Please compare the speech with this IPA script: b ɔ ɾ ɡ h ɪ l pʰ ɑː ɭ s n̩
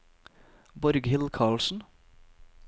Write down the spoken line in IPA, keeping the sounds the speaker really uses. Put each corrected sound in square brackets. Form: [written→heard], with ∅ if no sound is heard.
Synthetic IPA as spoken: b ɔ ɾ ɡ h ɪ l [pʰ→kʰ] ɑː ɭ s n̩